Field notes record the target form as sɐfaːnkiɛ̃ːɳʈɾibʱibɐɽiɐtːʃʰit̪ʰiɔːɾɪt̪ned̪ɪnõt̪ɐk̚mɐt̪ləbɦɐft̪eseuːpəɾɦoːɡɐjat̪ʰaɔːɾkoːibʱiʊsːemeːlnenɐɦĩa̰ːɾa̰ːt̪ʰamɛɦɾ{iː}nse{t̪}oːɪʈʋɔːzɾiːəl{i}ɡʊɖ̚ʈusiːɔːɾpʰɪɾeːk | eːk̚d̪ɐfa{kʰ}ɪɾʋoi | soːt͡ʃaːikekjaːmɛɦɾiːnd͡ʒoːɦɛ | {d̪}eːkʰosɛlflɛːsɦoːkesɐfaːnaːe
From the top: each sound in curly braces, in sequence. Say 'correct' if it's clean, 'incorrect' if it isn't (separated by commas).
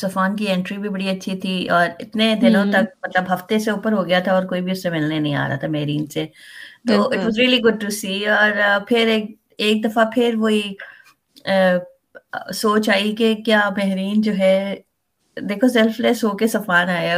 correct, correct, correct, incorrect, correct